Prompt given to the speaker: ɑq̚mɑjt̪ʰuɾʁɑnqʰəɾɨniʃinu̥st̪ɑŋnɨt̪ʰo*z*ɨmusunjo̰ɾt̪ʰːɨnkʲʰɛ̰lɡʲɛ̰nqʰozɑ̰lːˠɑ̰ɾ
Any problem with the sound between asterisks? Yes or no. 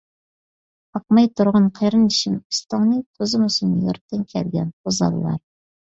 no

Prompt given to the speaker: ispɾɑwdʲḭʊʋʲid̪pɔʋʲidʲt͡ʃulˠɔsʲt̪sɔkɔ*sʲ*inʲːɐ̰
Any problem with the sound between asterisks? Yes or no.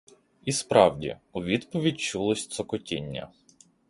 yes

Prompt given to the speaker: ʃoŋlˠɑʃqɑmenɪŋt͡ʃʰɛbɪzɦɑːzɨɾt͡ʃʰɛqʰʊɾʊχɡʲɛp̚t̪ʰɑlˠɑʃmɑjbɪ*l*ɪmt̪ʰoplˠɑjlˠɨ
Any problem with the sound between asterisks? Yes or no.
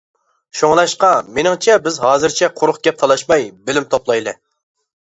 no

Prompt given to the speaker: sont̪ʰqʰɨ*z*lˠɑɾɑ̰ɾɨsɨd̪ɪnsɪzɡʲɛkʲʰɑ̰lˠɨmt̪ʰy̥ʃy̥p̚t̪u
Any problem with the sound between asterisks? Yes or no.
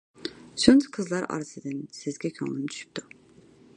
no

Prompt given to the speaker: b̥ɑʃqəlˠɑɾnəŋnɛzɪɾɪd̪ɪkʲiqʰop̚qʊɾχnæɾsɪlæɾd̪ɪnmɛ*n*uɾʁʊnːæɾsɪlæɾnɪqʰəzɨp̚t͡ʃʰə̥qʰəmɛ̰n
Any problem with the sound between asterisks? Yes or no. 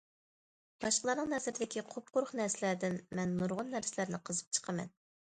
yes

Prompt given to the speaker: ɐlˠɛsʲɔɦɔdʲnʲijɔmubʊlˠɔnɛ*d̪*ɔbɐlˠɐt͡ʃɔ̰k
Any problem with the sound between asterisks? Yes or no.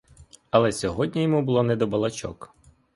no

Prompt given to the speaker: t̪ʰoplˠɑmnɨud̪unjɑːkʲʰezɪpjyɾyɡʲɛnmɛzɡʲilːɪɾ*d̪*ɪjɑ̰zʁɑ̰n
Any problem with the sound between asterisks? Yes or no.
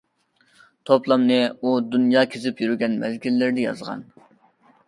no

